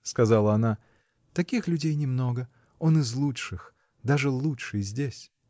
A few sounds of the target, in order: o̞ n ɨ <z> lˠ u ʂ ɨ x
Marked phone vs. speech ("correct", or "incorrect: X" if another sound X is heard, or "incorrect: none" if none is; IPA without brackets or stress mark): correct